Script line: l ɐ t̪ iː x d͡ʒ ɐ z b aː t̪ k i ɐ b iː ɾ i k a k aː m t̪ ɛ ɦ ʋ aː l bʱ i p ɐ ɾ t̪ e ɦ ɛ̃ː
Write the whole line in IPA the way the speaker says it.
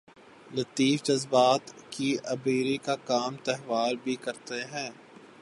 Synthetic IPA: l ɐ t̪ iː f d͡ʒ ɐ z b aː t̪ k i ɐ b iː ɾ i k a k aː m t̪ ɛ ɦ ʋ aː l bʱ i k ɐ ɾ t̪ e ɦ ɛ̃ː